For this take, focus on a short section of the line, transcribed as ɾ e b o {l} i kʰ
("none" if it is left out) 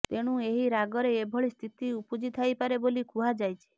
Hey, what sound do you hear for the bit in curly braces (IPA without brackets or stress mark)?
l